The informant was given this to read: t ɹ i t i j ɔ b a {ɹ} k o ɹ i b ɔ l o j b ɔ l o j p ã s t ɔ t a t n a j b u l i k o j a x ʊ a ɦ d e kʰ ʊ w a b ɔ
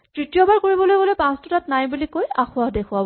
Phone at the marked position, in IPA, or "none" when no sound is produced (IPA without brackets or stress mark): ɹ